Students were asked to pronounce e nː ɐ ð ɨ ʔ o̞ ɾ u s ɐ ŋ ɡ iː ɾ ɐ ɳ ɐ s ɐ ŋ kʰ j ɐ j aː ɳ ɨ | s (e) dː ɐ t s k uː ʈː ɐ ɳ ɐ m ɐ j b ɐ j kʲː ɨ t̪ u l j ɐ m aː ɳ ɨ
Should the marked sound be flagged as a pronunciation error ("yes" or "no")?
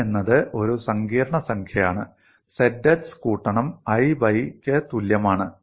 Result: no